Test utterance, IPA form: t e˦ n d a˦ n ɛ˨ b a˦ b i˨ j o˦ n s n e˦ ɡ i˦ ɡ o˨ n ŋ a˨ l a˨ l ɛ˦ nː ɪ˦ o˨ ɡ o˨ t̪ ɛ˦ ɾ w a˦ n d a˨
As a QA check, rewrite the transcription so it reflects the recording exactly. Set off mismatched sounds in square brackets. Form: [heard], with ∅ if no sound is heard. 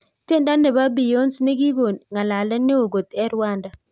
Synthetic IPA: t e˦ n d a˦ n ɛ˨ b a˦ b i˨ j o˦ n s n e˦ ɡ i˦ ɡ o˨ n ŋ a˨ l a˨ l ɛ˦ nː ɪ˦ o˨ ɡ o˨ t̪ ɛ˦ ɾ w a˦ n d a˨